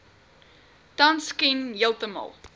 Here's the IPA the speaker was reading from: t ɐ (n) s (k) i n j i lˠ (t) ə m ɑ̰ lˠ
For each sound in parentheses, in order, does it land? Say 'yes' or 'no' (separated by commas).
yes, yes, yes